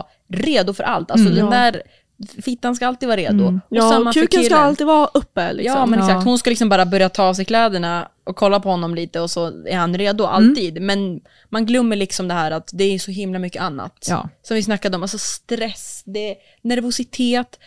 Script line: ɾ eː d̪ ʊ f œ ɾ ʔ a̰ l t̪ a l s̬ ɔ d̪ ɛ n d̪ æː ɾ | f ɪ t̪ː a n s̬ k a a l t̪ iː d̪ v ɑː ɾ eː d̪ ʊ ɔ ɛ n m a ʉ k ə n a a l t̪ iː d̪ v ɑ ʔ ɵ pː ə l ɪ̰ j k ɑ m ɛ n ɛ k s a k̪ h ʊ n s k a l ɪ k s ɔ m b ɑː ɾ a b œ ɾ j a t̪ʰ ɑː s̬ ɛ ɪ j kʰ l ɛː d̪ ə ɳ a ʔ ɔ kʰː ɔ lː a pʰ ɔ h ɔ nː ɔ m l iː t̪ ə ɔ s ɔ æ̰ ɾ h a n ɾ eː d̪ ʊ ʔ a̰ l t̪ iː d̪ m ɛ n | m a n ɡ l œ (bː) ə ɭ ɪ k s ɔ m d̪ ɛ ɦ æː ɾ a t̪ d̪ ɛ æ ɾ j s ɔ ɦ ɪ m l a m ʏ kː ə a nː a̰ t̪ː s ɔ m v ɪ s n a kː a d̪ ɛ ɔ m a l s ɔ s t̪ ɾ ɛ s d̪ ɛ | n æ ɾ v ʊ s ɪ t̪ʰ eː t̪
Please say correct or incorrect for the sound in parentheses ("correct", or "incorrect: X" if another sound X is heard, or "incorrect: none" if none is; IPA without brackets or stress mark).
incorrect: mː